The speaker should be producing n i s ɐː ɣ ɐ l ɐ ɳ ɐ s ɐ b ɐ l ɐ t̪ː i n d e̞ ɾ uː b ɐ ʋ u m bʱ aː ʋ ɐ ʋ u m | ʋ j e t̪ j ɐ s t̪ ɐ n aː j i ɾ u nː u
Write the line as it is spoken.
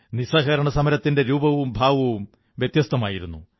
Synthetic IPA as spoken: n i s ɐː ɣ ɐ ɾ ɐ ɳ ɐ s ɐ m ɐ ɾ ɐ t̪ː i n d e̞ ɾ uː b ɐ ʋ u m bʱ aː ʋ ɐ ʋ u m | ʋ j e t̪ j ɐ s t̪ ɐ m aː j i ɾ u nː u

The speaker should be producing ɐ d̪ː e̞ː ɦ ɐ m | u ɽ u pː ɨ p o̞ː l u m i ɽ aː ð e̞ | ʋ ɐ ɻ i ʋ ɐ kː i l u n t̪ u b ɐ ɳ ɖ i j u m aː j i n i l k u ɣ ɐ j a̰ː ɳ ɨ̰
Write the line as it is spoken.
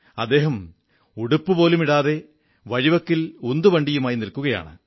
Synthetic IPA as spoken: ɐ d̪ː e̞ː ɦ ɐ m | u ɽ u pː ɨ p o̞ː l u m i ɽ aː ð e̞ | ʋ ɐ ɻ i ʋ ɐ kː i l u n d̪ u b ɐ ɳ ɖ i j u m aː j i n i l k u ɣ ɐ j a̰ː ɳ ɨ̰

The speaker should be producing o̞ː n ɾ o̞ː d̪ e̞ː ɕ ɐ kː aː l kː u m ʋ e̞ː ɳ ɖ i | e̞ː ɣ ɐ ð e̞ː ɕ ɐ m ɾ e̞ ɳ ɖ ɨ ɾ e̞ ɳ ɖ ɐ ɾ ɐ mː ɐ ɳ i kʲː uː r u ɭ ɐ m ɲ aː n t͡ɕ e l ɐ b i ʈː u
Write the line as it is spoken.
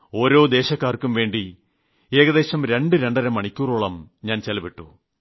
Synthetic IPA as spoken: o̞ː ɾ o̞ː d̪ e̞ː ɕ ɐ kː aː r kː u m ʋ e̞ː ɳ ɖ i | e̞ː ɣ ɐ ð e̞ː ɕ ɐ m ɾ e̞ ɳ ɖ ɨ ɾ e̞ ɳ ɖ ɐ ɾ ɐ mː ɐ ɳ i kʲː uː r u ɭ ɐ m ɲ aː n t͡ɕ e l ɐ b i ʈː u

